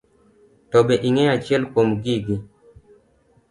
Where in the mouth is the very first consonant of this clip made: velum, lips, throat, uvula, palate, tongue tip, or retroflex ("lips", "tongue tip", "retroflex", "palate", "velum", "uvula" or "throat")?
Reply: tongue tip